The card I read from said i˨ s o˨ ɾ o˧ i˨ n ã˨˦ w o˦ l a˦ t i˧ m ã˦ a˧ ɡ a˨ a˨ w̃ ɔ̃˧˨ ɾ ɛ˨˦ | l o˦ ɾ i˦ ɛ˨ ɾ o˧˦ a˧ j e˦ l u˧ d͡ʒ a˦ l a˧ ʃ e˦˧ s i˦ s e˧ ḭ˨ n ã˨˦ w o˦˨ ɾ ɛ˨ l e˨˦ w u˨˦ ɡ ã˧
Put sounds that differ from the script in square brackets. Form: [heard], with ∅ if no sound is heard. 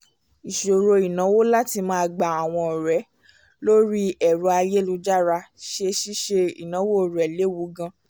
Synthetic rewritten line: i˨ [ʃ] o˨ ɾ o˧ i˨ n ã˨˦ w o˦ l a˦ t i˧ m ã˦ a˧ [ɡ͡b] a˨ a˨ w̃ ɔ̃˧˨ ɾ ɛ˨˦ | l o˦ ɾ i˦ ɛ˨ ɾ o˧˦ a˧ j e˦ l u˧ d͡ʒ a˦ [ɾ] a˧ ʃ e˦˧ [ʃ] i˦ [ʃ] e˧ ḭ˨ n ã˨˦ w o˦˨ ɾ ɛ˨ l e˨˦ w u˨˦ ɡ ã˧